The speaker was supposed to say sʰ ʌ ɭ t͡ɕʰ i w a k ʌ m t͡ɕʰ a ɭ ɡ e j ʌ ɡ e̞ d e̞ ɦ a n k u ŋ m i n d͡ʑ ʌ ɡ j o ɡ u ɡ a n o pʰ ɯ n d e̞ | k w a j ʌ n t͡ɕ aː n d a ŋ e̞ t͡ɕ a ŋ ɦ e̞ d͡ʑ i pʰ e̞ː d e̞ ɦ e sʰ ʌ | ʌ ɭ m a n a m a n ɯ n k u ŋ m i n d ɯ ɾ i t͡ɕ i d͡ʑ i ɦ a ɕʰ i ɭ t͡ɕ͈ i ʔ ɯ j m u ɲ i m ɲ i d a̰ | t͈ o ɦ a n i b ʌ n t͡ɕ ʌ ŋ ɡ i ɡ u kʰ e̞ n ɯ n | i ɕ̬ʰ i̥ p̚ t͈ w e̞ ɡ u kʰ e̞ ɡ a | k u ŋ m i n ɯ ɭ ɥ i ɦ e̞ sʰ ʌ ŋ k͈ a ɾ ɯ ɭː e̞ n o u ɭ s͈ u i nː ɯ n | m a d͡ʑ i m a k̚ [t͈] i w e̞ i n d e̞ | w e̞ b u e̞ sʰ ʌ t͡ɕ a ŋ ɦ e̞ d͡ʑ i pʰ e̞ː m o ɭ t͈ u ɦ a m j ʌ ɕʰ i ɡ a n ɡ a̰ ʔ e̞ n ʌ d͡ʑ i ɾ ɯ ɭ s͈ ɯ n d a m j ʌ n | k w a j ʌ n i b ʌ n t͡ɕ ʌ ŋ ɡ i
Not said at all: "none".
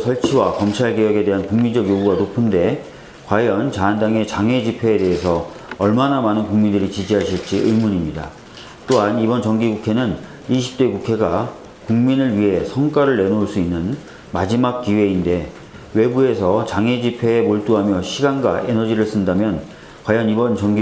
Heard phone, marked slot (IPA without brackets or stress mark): k͈